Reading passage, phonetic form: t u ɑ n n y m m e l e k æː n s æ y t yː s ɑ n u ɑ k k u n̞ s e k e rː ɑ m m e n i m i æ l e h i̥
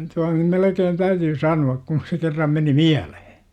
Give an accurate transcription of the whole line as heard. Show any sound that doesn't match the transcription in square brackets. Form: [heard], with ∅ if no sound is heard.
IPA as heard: t u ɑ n n y m m e l e k [eː] n [t] æ y t yː s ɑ n u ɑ k k u n̞ s e k e rː ɑ m m e n i m i æ l e h [e̥]